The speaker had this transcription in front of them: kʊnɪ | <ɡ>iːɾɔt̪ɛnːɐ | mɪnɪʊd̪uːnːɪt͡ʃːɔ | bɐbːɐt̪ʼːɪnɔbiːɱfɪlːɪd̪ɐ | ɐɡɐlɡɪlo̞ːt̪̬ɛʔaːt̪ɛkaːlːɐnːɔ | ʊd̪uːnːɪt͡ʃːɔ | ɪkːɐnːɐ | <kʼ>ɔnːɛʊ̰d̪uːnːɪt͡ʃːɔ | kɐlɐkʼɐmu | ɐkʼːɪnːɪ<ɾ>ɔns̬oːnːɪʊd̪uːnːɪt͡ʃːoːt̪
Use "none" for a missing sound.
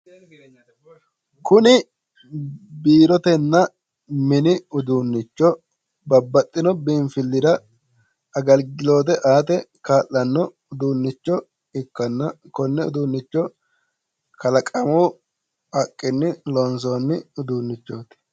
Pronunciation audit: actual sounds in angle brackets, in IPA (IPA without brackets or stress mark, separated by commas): b, k, l